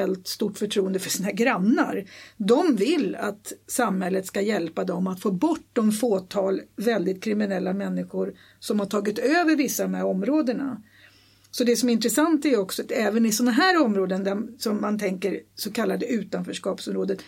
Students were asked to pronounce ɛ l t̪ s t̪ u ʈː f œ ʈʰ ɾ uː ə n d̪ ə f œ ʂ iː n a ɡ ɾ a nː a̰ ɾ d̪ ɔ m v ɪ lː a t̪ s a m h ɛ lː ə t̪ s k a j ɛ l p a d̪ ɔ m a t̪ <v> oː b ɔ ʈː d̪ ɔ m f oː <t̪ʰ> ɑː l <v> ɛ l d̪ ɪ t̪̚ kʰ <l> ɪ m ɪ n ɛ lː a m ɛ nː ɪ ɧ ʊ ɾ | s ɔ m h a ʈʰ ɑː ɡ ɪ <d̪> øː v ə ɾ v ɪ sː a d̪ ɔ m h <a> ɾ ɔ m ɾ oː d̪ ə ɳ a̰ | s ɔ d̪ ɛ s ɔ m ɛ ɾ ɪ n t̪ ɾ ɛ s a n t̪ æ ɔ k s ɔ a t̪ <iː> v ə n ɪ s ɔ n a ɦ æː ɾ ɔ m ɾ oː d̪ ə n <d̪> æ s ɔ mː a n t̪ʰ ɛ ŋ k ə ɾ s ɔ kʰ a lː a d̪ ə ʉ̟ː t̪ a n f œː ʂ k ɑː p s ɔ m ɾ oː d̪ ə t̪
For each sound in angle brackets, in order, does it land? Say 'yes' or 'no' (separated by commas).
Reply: no, yes, yes, no, no, no, no, yes